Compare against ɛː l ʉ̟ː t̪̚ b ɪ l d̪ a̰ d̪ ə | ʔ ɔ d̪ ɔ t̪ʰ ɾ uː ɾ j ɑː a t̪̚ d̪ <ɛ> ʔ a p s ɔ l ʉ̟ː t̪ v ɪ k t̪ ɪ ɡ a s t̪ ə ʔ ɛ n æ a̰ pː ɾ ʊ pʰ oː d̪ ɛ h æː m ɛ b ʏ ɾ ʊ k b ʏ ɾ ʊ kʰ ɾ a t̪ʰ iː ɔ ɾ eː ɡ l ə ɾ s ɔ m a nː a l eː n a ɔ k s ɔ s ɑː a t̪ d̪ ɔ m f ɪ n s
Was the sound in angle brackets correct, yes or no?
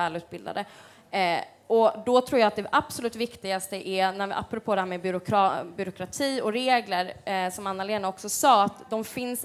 yes